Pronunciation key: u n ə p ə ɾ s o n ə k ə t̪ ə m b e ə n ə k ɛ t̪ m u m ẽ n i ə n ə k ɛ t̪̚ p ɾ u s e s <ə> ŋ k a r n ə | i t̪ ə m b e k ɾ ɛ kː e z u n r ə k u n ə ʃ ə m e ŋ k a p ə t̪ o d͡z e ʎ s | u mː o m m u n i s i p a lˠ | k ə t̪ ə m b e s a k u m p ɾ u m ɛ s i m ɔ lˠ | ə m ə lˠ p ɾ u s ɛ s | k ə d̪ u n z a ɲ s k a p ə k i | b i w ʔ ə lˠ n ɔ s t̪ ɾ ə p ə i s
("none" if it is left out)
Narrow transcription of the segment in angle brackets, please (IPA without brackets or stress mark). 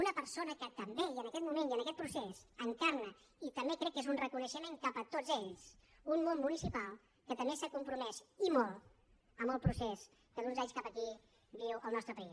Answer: ə